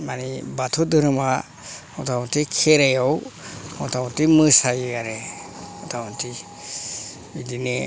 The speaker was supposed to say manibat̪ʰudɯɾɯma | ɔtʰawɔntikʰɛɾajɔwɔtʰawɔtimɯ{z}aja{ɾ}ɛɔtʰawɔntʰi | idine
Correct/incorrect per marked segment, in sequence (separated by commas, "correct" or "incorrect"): incorrect, correct